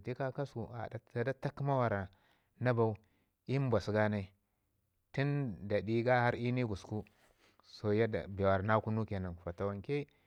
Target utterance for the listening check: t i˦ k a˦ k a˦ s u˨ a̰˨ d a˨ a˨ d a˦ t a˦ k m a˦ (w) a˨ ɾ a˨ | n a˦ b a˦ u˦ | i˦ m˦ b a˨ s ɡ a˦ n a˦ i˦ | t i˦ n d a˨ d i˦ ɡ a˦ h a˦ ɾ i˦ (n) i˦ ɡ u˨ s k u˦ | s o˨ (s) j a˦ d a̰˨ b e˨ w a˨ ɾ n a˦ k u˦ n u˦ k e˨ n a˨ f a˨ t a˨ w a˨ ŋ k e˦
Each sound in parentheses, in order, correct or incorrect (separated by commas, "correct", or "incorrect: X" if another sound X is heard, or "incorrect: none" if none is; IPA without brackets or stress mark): correct, correct, incorrect: none